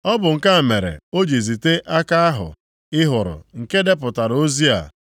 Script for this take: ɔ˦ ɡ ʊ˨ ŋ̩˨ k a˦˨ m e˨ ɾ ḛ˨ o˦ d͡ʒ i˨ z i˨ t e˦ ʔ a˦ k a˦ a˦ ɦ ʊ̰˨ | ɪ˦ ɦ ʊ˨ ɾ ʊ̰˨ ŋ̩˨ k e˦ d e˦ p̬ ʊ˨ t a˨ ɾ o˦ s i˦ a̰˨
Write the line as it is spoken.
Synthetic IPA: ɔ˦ b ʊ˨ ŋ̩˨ k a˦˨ m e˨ ɾ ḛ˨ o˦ d͡ʒ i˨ z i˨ t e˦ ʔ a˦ k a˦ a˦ ɦ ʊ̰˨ | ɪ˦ ɦ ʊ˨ ɾ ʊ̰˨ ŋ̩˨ k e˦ d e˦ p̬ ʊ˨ t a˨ ɾ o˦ z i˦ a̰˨